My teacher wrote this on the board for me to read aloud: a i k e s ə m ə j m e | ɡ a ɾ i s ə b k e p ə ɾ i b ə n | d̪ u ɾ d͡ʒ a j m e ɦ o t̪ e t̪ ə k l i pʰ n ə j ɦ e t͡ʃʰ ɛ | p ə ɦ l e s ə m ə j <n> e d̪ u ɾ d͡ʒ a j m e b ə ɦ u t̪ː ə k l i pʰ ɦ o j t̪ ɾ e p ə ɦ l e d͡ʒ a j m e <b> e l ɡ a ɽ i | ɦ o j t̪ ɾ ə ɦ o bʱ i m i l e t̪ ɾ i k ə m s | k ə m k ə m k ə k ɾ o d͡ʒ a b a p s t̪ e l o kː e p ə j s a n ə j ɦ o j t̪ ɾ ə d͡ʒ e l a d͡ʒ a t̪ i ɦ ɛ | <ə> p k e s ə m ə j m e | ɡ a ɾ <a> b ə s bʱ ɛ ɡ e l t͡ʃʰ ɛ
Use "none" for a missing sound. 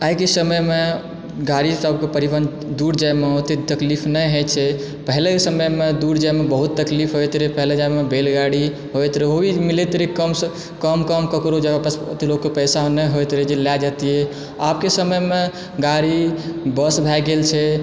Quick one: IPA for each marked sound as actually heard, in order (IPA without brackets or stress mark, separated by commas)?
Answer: m, b, a, i